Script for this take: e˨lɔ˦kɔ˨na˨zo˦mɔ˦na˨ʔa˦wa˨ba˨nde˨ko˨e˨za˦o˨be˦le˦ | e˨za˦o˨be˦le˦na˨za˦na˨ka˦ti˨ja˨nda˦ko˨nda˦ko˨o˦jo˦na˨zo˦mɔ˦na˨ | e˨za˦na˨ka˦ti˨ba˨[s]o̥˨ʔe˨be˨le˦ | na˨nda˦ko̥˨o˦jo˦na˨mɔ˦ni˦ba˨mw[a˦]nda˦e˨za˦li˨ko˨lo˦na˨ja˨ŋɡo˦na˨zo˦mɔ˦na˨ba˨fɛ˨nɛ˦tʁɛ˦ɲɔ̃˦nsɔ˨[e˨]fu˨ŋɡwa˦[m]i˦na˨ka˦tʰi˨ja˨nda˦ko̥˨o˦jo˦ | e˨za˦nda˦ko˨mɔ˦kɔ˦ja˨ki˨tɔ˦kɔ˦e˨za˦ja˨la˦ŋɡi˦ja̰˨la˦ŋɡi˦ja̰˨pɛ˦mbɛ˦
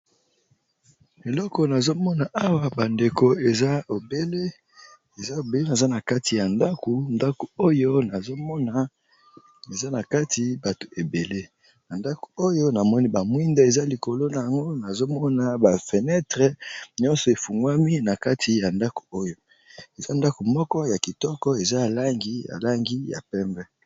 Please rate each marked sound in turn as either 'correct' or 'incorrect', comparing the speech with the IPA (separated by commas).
incorrect, incorrect, correct, correct